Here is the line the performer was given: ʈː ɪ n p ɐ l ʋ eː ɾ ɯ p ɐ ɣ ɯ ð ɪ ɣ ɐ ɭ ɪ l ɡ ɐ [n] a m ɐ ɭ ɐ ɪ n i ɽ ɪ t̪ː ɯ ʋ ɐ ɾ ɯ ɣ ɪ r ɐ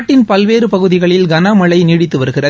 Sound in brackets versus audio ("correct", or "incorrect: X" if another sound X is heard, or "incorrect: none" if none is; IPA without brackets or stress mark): correct